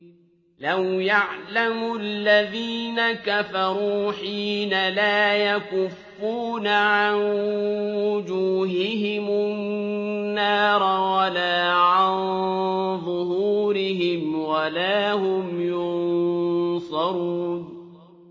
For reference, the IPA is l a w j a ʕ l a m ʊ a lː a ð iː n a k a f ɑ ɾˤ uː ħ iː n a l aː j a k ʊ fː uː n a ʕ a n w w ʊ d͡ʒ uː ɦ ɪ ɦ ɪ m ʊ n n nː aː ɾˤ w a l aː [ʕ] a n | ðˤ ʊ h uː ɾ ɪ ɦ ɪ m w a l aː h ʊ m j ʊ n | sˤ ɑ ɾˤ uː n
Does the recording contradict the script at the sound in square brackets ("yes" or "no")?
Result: no